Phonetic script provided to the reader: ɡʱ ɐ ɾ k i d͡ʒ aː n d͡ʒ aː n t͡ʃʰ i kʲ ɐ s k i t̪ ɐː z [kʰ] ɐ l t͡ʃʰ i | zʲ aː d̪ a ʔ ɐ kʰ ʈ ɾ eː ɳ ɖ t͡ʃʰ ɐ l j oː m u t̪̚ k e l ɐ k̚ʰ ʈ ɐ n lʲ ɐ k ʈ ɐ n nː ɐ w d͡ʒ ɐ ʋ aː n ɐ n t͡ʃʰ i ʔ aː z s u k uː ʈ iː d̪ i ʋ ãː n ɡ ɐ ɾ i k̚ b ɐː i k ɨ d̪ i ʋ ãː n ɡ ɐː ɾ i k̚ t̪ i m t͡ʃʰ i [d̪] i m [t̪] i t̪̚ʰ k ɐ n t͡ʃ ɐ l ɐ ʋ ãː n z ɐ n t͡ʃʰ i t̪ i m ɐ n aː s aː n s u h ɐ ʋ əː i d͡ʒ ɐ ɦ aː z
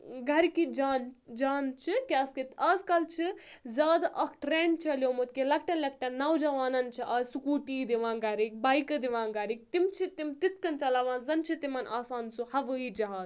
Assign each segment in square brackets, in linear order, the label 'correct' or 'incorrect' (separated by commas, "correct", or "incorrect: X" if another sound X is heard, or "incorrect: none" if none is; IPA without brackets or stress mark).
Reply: incorrect: k, incorrect: t̪, correct